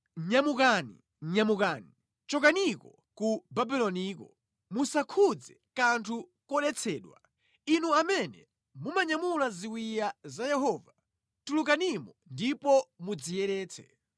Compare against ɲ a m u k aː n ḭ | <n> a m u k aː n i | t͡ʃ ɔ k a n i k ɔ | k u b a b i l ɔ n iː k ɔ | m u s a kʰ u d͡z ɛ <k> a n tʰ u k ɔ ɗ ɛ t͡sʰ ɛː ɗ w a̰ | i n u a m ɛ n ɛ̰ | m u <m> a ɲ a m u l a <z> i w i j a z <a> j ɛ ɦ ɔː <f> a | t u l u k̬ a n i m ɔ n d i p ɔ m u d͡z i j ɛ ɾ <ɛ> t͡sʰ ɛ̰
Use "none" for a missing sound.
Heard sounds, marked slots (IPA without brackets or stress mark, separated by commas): ɲ, k, m, z, a, v, ɛː